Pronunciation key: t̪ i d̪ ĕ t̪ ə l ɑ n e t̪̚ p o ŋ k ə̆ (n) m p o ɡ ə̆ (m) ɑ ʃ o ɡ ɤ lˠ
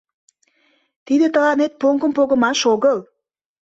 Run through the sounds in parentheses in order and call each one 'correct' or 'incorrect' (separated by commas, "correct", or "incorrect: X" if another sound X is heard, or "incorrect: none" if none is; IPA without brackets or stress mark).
incorrect: none, correct